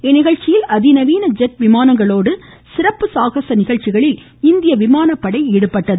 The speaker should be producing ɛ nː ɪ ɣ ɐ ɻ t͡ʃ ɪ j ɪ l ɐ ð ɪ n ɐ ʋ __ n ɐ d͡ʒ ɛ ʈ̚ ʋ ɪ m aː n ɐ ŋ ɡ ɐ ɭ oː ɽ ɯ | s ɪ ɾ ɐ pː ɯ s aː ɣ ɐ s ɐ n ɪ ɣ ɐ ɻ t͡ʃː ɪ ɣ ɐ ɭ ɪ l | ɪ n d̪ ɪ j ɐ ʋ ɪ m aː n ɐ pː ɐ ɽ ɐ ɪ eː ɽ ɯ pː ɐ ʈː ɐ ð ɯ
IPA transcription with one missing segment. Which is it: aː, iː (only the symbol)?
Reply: iː